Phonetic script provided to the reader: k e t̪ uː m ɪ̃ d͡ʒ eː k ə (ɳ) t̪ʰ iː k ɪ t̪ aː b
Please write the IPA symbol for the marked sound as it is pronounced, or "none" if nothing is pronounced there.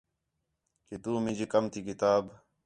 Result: m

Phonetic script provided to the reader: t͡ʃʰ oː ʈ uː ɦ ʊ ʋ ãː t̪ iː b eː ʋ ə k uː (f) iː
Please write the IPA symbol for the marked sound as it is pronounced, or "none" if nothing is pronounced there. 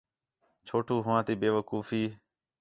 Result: f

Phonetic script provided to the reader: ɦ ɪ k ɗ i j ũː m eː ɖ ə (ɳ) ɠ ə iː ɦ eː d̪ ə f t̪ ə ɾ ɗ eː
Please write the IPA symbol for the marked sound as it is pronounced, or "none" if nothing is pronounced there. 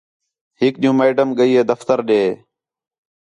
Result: m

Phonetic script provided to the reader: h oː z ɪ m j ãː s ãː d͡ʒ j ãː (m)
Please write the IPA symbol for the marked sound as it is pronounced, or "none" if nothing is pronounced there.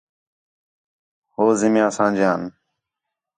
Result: n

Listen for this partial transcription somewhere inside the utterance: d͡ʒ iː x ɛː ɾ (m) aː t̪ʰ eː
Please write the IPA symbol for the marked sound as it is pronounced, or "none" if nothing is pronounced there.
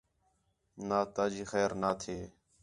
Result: n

